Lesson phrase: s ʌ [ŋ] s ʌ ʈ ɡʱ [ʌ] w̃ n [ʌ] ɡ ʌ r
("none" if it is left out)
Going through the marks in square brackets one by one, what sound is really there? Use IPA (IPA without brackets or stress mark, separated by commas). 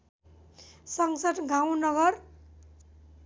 ŋ, a, ʌ